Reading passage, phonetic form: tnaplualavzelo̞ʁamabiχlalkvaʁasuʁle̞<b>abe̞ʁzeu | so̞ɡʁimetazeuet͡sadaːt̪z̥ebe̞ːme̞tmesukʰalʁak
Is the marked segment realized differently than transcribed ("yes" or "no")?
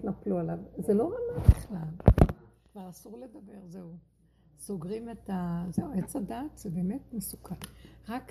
yes